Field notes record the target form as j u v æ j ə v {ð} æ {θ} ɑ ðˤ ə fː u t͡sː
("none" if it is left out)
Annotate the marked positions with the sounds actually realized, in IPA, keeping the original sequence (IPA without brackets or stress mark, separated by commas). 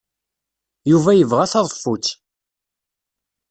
ʁ, θ